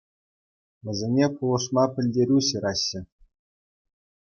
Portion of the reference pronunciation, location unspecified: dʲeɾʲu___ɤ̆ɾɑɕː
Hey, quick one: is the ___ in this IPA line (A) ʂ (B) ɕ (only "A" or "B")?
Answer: B